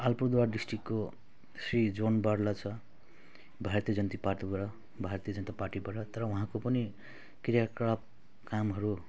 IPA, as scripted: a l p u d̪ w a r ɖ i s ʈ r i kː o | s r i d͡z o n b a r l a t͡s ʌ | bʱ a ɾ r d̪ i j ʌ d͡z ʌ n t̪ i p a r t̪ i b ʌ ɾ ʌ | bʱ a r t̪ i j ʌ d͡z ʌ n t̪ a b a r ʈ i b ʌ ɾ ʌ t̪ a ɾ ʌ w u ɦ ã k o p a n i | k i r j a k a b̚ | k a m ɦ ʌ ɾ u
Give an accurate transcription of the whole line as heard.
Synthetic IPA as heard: a l p u d̪ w a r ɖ i s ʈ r i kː o | s r i d͡z o n b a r l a t͡sʰ ʌ | bʱ a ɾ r t̪ i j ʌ d͡z ʌ n t̪ i p a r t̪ i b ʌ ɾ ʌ | bʱ a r t̪ i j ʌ d͡z ʌ n t̪ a p a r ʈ i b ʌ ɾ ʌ t̪ ʌ ɾ ʌ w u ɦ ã k o p ʌ n i | k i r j a k a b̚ | k a m ɦ ʌ ɾ u

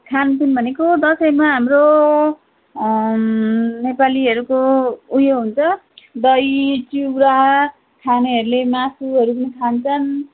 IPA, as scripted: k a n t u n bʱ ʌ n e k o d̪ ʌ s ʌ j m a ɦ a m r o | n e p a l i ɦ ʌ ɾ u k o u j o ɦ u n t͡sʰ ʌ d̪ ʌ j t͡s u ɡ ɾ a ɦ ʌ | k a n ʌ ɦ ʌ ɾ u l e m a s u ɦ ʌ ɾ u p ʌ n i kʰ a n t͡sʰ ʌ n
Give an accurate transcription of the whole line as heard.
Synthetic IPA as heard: kʰ a n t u n bʱ ʌ n e k o d̪ ʌ s ʌ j m a ɦ a m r o | n e p a l i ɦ ʌ ɾ u k o u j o ɦ u n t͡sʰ ʌ d̪ ʌ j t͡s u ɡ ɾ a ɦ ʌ | kʰ a n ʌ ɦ ʌ ɾ u l e m a s u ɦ ʌ ɾ u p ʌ n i kʰ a n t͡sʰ ʌ n

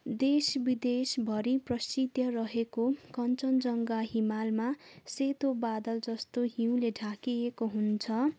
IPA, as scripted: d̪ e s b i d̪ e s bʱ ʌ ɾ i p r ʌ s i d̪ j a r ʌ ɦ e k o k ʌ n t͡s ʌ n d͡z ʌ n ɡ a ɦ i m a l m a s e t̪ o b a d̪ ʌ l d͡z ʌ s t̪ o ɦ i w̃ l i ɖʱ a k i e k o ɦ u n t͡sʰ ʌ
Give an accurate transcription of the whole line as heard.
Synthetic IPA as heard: d̪ e s b i d̪ e s bʱ ʌ ɾ i p r ʌ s i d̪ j ʌ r ʌ ɦ e k o k ʌ n t͡s ʌ n d͡z ʌ ŋ ɡ a ɦ i m a l m a s e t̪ o b a d̪ ʌ l d͡z ʌ s t̪ o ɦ i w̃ l e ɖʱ a k i e k o ɦ u n t͡sʰ ʌ

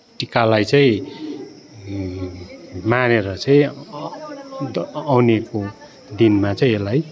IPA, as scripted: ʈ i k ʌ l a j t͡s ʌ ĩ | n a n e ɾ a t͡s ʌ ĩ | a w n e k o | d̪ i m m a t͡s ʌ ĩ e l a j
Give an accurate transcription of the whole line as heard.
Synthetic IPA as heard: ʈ i k a l a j t͡s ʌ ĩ | m a n e ɾ ʌ t͡s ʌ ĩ | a w n e k o | d̪ i n m a t͡s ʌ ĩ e l a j

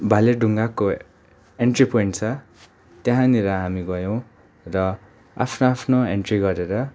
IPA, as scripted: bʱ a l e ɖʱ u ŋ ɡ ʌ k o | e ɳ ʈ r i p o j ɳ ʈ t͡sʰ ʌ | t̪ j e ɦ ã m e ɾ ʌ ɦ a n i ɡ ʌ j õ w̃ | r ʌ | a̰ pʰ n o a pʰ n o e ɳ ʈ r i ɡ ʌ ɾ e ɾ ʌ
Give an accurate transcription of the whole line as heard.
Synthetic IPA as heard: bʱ a l e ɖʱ u ŋ ɡ a k o | e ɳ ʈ r i p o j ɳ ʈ t͡sʰ ʌ | t̪ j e ɦ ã n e ɾ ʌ ɦ a m i ɡ ʌ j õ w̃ | r ʌ | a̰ pʰ n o a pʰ n o e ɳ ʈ r i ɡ ʌ ɾ e ɾ ʌ

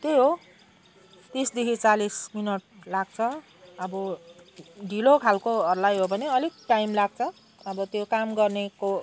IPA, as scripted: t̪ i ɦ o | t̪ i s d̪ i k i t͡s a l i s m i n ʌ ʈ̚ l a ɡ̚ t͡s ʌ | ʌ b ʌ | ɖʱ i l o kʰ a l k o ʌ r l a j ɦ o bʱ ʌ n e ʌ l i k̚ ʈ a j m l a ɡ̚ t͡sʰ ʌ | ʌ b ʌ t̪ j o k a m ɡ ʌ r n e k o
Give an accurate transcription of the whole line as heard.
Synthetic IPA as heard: t̪ e ɦ o | t̪ i s d̪ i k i t͡s a l i s m i n ʌ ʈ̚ l a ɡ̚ t͡sʰ ʌ | ʌ b ʌ | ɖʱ i l o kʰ a l k o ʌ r l a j ɦ o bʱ ʌ n e ʌ l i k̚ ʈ a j m l a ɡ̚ t͡sʰ ʌ | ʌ b ʌ t̪ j o k a m ɡ ʌ r n e k o

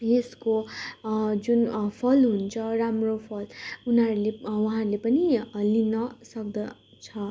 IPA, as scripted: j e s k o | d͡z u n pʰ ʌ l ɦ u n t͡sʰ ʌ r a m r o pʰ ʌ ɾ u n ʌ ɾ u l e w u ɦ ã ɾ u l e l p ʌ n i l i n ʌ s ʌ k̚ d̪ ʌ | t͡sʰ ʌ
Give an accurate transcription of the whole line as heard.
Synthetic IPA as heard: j e s k o | d͡z u n pʰ ʌ l ɦ u n t͡sʰ ʌ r a m r o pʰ ʌ l u n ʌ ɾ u l e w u ɦ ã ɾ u l e p ʌ n i l i n ʌ s ʌ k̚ d̪ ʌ | t͡sʰ ʌ

